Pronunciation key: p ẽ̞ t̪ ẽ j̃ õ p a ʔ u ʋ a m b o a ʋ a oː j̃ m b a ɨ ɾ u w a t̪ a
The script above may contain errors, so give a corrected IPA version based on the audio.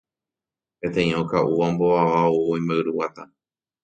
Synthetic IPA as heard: p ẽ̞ t̪ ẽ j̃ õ k a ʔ u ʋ a m b o a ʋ a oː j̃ m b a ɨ ɾ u w a t̪ a